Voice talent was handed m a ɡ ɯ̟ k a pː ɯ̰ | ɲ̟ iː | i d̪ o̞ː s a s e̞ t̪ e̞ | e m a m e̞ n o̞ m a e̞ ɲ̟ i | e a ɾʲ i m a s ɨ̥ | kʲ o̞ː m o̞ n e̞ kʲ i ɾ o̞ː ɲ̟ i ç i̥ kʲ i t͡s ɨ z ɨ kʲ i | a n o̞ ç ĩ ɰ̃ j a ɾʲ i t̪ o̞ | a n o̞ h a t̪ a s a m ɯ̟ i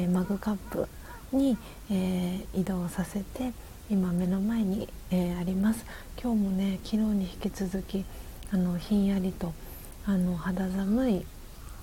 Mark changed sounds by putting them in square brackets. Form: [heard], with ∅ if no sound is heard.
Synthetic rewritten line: m a ɡ ɯ̟ k a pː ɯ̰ | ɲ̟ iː | i d̪ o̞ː s a s e̞ t̪ e̞ | [i] m a m e̞ n o̞ m a e̞ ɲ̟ i | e a ɾʲ i m a s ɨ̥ | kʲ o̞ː m o̞ n e̞ kʲ i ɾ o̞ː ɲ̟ i ç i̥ kʲ i t͡s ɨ z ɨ kʲ i | a n o̞ ç ĩ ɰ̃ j a ɾʲ i t̪ o̞ | a n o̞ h a [d̪] a [z] a m ɯ̟ i